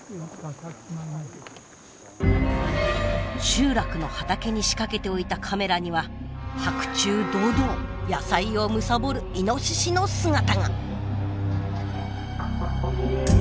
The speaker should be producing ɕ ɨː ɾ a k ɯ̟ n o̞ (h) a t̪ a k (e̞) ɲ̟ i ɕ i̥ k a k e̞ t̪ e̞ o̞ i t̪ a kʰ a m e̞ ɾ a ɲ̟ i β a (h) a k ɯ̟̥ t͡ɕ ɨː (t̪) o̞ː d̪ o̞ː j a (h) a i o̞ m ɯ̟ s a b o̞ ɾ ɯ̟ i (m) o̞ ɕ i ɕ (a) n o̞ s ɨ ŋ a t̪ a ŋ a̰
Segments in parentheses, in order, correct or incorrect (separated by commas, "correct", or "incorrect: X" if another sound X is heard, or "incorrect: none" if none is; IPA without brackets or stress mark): correct, correct, correct, incorrect: d̪, incorrect: s, incorrect: n, incorrect: i